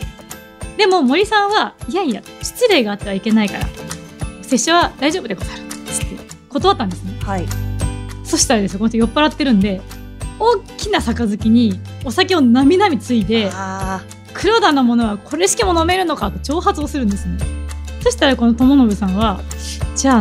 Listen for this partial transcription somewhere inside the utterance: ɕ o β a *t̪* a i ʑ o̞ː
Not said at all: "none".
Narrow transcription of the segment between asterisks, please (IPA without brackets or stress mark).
d̪